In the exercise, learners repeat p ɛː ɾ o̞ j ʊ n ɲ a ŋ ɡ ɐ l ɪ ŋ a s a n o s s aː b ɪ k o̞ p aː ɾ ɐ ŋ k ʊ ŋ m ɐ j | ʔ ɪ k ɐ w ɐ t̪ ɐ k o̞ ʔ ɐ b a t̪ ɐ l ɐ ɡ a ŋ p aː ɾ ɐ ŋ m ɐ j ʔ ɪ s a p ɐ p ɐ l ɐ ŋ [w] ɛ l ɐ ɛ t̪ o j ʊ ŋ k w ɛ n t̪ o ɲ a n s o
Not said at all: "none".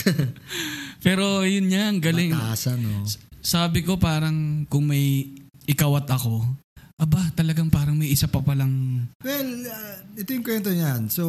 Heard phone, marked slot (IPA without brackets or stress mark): w